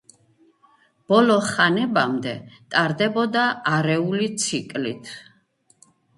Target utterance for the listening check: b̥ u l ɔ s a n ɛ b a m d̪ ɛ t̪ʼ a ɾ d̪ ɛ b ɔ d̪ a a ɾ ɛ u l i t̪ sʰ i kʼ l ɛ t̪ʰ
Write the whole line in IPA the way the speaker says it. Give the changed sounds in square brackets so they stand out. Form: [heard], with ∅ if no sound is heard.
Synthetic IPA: b̥ [ɔ] l ɔ [χ] a n ɛ b a m d̪ ɛ t̪ʼ a ɾ d̪ ɛ b ɔ d̪ a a ɾ ɛ u l i t̪ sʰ i kʼ l [i] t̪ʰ